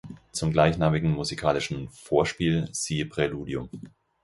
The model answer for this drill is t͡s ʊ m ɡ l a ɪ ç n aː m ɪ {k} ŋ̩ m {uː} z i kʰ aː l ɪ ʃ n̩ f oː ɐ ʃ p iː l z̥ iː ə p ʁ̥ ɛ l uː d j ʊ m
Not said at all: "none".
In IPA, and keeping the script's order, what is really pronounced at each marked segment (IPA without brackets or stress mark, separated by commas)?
ɡ, u